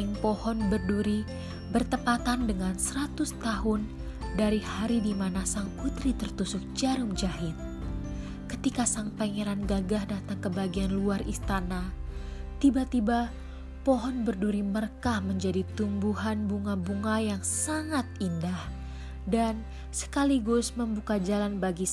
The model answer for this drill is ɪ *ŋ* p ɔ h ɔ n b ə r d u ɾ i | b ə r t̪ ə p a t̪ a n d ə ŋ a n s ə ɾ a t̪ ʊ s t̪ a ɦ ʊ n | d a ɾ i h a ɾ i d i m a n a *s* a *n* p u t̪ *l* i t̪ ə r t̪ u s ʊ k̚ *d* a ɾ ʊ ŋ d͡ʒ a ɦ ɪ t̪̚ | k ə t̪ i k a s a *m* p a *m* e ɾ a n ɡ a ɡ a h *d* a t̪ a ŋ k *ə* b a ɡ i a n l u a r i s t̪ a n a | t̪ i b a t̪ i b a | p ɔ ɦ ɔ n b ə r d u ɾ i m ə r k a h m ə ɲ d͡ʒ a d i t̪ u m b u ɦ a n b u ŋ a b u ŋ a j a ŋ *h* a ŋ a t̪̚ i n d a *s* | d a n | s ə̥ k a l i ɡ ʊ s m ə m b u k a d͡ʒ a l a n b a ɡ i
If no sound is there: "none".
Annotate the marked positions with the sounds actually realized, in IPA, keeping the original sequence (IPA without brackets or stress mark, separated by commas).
ŋ, s, ŋ, ɾ, d͡ʒ, ŋ, ŋ, d, ə, s, h